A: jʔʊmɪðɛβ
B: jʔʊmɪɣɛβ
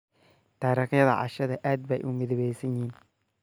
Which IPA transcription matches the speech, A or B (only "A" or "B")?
A